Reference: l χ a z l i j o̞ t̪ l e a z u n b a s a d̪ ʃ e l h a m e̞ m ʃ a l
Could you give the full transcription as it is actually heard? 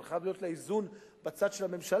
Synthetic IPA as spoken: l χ a v l i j o̞ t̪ l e i z u n b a t͡s a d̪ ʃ e l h a m e̞ m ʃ a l